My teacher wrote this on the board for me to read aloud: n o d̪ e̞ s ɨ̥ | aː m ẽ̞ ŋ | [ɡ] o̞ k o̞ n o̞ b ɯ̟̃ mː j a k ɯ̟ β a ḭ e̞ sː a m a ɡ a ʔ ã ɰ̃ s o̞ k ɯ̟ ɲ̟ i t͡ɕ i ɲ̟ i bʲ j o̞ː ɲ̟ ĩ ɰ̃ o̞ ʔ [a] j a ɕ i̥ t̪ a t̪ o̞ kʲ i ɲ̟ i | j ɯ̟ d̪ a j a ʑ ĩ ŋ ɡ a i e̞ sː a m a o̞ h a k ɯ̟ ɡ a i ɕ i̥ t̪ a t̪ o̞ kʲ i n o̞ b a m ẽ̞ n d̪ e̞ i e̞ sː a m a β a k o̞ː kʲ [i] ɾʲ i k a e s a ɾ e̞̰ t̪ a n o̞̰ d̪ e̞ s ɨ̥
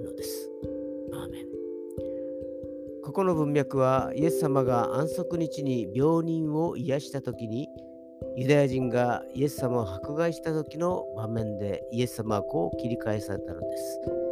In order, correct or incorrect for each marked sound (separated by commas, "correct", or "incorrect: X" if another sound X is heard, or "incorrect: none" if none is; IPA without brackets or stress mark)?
incorrect: k, incorrect: i, correct